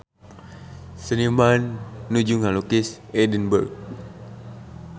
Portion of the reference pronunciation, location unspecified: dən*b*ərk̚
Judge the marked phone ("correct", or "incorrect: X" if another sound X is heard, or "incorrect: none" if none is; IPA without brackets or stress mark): correct